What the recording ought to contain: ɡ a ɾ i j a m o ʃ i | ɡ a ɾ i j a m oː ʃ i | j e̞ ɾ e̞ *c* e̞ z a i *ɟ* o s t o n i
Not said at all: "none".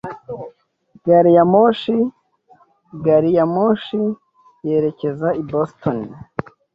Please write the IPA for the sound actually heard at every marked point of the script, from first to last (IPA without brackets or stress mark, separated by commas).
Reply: c, b